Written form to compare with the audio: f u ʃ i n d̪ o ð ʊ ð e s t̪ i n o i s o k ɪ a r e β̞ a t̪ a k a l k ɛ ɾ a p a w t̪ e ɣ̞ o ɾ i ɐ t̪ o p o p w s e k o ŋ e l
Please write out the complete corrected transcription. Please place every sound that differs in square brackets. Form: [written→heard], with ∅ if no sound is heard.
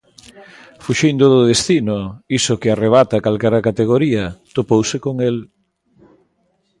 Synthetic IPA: f u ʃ i n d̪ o ð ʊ ð e s t̪ i n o i s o k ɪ a r e β̞ a t̪ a k a l k ɛ ɾ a [p→k] a [w→∅] t̪ e ɣ̞ o ɾ i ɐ t̪ o p o [p→∅] w s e k o ŋ e l